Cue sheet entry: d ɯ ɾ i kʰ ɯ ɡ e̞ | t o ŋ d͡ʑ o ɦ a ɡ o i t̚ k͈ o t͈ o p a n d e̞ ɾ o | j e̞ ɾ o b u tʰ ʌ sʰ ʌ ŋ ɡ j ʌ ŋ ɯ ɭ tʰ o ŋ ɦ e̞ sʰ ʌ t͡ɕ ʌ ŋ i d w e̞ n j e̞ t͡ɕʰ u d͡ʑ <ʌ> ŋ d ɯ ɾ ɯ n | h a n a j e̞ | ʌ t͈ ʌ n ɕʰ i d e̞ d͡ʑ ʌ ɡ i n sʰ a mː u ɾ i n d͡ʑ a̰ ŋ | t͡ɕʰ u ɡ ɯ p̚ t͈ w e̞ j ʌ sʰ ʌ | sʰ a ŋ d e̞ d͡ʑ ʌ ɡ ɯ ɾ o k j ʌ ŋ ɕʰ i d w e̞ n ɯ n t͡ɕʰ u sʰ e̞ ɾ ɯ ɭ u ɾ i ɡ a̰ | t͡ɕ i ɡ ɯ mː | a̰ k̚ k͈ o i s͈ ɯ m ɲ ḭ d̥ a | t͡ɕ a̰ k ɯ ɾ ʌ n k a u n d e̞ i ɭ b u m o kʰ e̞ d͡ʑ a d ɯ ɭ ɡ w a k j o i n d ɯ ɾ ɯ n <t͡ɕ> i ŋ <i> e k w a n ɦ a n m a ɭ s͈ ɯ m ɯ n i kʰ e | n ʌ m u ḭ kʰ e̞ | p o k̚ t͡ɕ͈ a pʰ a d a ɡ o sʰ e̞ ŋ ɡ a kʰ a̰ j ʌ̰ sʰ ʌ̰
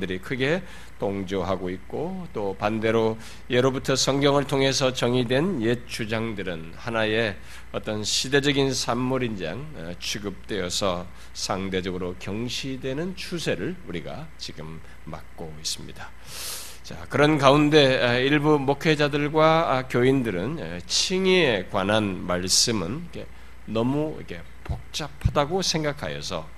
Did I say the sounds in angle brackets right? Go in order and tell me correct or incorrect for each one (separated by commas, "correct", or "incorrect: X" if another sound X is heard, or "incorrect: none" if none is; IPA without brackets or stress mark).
incorrect: a, incorrect: t͡ɕʰ, correct